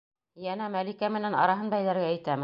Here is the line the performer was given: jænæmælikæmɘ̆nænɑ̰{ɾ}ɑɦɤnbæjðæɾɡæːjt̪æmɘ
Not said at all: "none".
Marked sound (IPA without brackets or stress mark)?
ɾ